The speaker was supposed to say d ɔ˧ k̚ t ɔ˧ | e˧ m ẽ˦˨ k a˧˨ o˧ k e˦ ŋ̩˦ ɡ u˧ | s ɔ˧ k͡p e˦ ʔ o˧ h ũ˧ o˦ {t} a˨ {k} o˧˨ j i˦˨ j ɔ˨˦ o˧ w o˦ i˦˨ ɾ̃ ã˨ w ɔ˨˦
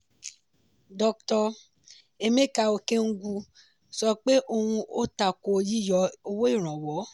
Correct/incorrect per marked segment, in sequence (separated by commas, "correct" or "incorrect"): correct, correct